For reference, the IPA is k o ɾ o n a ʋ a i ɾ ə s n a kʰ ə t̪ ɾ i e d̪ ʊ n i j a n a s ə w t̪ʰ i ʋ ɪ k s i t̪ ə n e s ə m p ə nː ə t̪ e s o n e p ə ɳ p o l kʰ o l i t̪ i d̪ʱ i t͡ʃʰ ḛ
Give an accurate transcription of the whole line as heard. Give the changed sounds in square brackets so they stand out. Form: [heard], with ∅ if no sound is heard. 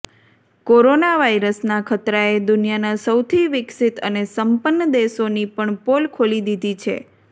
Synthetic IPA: k o ɾ o n a ʋ a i ɾ ə s n a kʰ ə t̪ ɾ [a] e d̪ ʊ n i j a n a s ə w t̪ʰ i ʋ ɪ k s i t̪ ə n e s ə m p ə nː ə [d̪] e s o n [i] p ə ɳ p o l kʰ o l i [d̪] i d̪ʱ i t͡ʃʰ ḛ